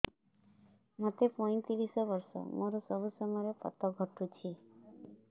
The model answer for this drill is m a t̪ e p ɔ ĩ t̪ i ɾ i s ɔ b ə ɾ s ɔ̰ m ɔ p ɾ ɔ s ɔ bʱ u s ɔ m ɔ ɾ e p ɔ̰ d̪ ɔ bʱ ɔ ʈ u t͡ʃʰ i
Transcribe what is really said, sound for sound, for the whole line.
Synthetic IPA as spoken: m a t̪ e p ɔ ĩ t̪ i ɾ i s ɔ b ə ɾ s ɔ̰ m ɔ ɾ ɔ s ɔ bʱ u s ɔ m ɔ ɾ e p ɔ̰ t̪ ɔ ɡʱ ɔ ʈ u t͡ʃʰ i